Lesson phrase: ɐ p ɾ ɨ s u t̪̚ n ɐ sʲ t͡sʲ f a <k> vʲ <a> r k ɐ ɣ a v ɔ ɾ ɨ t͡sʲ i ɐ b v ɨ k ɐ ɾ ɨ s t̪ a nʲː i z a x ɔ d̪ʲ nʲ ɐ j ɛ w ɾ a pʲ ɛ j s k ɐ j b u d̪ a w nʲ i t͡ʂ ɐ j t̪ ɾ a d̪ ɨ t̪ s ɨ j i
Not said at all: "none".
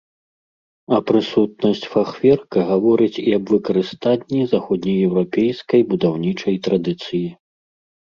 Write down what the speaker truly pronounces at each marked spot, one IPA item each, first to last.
x, ɛ

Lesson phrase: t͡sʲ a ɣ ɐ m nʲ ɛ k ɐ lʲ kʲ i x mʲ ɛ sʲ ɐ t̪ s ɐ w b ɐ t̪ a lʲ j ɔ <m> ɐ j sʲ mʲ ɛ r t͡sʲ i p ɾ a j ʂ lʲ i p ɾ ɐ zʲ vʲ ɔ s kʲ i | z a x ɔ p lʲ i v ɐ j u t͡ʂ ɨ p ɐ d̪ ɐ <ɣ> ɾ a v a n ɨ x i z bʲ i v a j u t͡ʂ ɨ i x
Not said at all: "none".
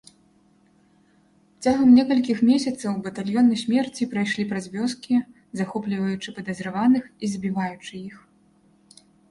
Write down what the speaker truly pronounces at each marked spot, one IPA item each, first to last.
n, z

